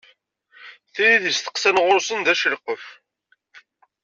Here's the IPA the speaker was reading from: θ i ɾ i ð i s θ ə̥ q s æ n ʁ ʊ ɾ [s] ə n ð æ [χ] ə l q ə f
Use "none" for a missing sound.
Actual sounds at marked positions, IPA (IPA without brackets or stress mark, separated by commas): s, ʃ